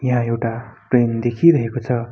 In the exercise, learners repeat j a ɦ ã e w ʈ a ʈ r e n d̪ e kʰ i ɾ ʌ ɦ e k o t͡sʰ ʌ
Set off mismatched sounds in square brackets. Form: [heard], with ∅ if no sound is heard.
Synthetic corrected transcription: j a ɦ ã e w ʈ a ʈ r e n d̪ e kʰ i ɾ ʌ ɦ e k o t͡sʰ ʌ